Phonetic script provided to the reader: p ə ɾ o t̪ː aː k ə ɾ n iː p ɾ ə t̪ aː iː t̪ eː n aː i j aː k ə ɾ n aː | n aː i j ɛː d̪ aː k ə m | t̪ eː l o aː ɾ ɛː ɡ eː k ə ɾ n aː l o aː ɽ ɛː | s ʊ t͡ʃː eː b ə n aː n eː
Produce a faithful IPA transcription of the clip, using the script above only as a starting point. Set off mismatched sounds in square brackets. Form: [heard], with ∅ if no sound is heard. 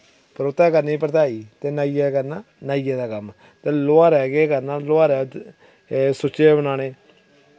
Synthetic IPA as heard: p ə ɾ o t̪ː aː k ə ɾ n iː p ɾ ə t̪ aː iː t̪ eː n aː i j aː k ə ɾ n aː | n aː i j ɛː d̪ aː k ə m | t̪ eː l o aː ɾ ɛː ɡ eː k ə ɾ n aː l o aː [ɾ] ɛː | s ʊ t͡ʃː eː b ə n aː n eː